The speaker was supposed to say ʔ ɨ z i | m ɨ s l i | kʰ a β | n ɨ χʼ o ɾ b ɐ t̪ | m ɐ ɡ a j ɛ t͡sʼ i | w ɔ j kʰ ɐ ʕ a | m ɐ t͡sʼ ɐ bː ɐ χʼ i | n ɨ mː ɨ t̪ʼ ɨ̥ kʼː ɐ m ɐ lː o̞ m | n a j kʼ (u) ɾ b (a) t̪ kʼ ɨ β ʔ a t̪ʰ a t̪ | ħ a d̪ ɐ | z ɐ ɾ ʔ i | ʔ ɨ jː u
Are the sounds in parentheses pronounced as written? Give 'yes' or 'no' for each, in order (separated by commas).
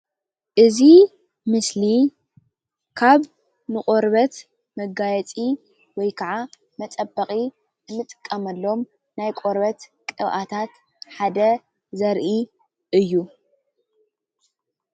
no, no